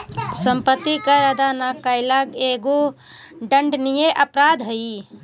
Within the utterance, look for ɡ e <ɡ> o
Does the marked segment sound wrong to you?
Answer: no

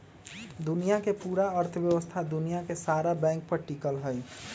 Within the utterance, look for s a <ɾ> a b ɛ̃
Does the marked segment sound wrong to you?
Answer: no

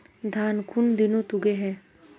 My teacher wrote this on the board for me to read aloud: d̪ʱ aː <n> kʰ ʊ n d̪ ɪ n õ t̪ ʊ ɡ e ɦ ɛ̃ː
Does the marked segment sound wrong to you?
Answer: no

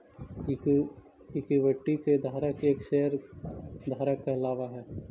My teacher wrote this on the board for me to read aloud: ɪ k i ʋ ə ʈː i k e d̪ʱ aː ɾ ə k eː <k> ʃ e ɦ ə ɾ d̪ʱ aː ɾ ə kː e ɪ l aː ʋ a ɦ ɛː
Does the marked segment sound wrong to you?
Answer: no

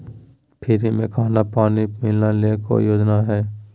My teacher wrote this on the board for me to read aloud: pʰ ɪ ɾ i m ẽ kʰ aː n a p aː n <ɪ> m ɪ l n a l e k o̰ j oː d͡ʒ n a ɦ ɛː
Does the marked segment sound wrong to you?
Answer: yes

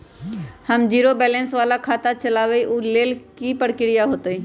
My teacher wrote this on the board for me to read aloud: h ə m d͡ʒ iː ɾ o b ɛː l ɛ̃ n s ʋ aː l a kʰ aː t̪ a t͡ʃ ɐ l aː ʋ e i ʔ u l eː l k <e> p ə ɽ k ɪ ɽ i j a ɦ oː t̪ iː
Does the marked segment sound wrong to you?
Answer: yes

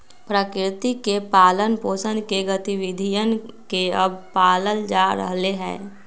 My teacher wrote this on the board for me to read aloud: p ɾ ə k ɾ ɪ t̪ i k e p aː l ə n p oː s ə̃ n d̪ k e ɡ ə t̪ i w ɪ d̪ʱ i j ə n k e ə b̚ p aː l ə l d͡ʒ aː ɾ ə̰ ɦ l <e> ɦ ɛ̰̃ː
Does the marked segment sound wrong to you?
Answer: no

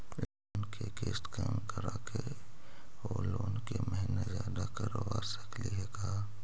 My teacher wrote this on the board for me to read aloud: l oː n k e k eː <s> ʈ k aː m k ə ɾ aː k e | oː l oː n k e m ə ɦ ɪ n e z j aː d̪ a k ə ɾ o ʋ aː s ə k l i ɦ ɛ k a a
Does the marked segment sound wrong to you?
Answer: no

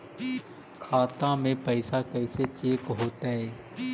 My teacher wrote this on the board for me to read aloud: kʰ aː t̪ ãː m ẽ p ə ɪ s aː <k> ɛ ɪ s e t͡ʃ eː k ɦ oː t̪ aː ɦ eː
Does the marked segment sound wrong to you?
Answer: no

